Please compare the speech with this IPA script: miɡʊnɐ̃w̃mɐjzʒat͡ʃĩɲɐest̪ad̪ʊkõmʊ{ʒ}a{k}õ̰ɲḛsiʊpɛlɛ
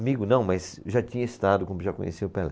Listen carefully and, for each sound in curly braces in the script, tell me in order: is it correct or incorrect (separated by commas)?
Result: correct, correct